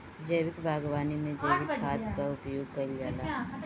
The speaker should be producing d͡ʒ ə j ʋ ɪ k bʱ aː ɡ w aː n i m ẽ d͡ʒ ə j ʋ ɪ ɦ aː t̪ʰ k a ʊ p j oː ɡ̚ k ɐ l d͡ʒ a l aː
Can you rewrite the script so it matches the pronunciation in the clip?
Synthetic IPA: d͡ʒ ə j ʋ ɪ k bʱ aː ɡ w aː n i m ẽ d͡ʒ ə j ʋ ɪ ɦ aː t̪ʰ k a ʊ p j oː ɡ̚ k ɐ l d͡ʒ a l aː